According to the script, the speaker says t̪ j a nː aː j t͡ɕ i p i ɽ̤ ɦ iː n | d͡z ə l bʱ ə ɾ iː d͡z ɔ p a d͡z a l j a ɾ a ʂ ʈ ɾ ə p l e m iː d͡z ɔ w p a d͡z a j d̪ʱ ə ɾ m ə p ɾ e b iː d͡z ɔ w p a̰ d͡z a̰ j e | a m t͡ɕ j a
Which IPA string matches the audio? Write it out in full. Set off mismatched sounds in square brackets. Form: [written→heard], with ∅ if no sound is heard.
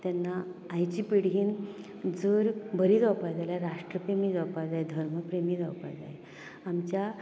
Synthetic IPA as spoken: t̪ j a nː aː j t͡ɕ i p i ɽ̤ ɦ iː n | d͡z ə [l→ɾ] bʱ ə ɾ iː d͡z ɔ p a d͡z a l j a ɾ a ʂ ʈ ɾ ə p [l→ɾ] e m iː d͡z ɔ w p a d͡z a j d̪ʱ ə ɾ m ə p ɾ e [b→m] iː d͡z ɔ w p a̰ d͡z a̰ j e | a m t͡ɕ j a